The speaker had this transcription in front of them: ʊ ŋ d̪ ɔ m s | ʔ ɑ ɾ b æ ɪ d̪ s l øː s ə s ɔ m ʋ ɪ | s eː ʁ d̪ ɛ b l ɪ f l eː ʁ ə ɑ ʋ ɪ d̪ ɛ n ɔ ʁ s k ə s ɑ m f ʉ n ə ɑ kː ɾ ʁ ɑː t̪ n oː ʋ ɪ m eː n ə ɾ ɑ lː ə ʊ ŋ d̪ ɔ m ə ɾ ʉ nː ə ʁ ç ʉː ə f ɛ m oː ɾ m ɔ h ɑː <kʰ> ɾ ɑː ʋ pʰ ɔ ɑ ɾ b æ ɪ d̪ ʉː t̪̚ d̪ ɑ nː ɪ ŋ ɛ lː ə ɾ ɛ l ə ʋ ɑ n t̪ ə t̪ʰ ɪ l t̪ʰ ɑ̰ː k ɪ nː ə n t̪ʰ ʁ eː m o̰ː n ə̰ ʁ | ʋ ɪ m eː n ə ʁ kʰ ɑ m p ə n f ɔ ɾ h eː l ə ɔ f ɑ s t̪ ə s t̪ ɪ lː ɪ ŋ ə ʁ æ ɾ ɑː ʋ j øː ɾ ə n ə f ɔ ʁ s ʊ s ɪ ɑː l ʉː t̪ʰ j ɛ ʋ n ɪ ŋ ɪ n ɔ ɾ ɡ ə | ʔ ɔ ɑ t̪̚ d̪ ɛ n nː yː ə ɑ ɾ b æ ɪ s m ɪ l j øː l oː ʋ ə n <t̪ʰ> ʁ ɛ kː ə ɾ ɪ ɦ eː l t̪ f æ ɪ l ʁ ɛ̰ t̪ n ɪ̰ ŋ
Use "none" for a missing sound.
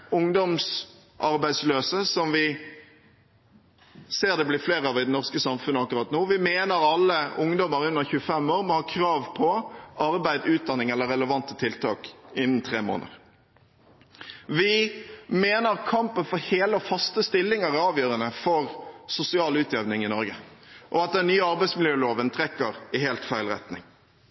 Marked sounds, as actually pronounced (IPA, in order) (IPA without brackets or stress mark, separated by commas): kʰ, t̪ʰ